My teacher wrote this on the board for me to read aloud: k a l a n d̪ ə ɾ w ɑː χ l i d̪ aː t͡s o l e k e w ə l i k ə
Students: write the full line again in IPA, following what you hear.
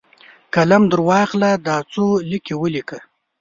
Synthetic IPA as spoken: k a l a m d̪ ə ɾ w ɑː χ l a d̪ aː t͡s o l i k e w ə l i k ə